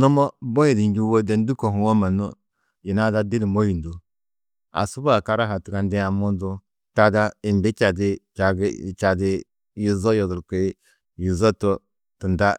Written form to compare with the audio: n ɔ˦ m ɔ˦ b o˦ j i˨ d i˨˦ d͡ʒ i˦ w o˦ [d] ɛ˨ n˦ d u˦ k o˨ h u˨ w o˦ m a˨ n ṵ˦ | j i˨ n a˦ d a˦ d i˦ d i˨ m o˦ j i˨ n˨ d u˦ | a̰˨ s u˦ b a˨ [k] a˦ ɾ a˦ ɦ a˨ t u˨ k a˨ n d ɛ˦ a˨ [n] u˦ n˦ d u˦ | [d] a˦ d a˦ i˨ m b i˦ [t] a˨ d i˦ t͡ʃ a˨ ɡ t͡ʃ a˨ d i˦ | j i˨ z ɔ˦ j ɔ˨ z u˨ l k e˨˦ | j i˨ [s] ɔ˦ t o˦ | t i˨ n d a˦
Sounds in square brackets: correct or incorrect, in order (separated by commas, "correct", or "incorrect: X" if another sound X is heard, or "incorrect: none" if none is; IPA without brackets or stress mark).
correct, correct, incorrect: m, incorrect: t, incorrect: t͡ʃ, incorrect: z